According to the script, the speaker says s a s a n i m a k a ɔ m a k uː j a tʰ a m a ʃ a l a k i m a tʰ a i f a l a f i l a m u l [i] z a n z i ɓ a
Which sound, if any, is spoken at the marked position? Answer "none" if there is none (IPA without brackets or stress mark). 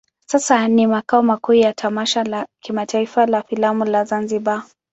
a